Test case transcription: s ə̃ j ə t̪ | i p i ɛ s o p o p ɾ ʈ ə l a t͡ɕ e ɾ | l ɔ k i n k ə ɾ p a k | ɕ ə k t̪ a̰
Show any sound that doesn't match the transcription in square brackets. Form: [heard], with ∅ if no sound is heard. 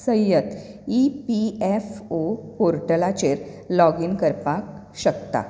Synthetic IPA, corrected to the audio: s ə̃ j ə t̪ | i p i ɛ [f] o p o [∅] ɾ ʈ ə l a t͡ɕ e ɾ | l ɔ [ɡ] i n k ə ɾ p a k | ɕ ə k t̪ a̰